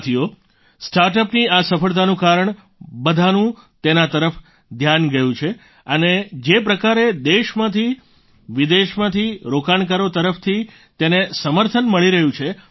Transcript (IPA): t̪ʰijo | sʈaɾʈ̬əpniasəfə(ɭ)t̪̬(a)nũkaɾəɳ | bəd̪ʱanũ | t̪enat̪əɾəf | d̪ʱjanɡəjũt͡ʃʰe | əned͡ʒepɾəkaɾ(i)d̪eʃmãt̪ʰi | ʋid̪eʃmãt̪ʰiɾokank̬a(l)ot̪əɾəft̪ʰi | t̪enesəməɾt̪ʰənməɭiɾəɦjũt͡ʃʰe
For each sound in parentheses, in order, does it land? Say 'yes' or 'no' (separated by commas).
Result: yes, yes, no, no